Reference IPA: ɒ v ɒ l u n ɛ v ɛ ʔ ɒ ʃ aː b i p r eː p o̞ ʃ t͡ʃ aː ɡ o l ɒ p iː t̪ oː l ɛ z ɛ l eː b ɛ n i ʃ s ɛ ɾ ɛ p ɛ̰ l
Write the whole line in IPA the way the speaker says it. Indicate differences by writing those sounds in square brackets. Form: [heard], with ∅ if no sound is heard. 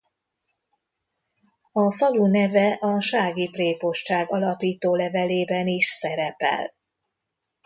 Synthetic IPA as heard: ɒ [f] ɒ l u n ɛ v ɛ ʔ ɒ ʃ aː [ɡ] i p r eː p o̞ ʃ t͡ʃ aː ɡ [ɒ] l ɒ p iː t̪ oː l ɛ [v] ɛ l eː b ɛ n i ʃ s ɛ ɾ ɛ p ɛ̰ l